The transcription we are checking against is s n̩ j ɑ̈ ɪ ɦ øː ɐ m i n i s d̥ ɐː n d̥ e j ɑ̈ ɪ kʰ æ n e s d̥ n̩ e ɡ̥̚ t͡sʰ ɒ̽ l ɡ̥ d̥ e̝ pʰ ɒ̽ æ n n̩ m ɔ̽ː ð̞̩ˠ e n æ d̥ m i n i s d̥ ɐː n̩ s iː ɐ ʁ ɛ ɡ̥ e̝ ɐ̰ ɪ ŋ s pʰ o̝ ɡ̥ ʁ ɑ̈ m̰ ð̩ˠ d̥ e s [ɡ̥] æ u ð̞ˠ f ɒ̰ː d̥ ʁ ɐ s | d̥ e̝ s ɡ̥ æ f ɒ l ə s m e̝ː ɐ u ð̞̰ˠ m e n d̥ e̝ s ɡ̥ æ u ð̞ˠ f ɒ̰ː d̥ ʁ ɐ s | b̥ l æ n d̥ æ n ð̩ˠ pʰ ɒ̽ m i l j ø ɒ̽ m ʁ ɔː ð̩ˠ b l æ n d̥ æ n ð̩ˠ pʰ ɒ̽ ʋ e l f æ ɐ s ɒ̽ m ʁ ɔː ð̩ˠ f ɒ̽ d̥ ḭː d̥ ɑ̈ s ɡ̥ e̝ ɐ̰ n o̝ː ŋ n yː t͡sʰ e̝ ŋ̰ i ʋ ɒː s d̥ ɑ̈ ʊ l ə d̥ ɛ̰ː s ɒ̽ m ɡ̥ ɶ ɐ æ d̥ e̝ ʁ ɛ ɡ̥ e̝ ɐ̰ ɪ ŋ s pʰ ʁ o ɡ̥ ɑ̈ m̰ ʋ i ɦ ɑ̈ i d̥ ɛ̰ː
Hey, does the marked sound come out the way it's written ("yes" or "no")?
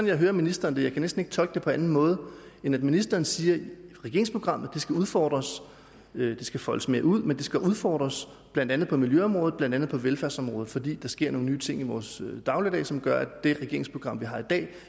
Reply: yes